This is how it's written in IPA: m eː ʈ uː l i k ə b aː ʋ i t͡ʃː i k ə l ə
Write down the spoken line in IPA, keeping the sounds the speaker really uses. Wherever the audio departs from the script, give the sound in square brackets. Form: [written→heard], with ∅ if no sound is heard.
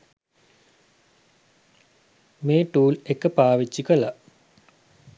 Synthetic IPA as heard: m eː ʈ uː l [i→e] k ə [b→p] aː ʋ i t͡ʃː i k ə l [ə→a]